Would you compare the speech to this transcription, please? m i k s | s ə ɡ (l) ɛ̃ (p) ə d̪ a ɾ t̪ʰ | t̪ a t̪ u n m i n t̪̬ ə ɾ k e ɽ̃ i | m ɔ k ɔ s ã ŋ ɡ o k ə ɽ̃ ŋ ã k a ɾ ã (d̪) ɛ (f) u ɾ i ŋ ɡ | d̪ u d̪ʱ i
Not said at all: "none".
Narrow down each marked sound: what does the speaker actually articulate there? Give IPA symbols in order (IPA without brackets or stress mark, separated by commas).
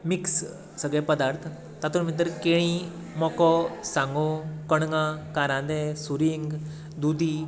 ɭ, p, d̪, s